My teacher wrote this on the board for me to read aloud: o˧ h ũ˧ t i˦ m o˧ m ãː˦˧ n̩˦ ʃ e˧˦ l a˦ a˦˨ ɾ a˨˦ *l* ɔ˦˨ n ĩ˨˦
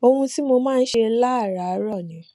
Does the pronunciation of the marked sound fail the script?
yes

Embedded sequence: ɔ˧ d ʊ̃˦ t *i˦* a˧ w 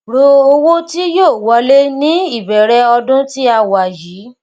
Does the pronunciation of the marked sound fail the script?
no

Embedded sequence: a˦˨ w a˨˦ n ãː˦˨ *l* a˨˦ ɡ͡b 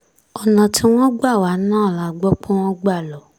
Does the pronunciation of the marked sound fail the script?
no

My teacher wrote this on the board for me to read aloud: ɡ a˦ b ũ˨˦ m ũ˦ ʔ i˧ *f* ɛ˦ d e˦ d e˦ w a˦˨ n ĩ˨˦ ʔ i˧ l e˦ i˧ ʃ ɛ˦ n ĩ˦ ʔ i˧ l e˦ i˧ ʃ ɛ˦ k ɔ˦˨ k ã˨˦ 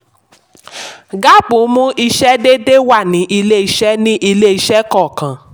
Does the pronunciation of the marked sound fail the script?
yes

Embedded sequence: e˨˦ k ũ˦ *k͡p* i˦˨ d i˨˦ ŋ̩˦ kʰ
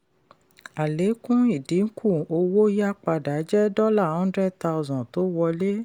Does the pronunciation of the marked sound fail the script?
yes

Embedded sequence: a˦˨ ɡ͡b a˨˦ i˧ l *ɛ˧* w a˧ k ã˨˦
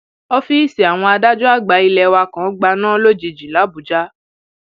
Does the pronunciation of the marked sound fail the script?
no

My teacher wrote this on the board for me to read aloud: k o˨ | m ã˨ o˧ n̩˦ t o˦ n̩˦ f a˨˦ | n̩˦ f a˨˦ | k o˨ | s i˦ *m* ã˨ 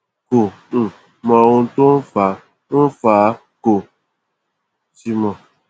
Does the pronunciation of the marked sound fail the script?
no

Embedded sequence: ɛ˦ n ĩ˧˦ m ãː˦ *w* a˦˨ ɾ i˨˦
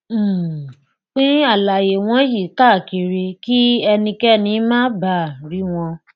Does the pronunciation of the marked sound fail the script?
yes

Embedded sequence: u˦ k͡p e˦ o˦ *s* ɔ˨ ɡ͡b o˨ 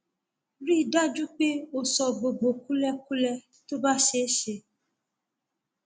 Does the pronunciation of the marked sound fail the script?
no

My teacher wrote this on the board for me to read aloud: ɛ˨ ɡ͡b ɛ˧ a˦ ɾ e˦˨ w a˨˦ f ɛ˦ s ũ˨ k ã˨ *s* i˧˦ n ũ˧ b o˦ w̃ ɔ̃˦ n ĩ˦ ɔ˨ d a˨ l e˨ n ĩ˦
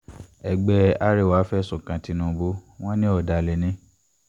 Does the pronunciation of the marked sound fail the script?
yes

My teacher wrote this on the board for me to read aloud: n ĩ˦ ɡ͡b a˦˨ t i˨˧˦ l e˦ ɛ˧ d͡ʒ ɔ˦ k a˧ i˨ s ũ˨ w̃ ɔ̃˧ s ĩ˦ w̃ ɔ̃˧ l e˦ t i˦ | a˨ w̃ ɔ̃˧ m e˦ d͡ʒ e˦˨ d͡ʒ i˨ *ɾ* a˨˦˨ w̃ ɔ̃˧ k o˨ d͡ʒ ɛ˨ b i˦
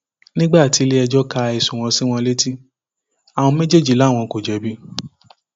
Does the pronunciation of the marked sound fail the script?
yes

